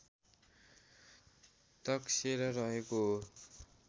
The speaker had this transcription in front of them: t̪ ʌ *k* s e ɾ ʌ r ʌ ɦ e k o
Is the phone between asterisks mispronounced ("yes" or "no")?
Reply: no